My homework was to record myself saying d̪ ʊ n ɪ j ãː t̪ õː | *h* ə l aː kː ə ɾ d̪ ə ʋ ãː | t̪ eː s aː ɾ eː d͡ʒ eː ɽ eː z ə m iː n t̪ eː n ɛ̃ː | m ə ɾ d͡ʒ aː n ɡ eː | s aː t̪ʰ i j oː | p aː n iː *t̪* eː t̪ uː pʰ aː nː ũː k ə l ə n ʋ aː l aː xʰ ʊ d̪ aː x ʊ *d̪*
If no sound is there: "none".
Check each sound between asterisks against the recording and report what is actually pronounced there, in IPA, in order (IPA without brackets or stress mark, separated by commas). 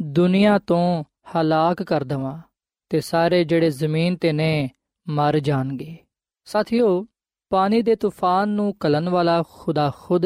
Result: h, d̪, d̪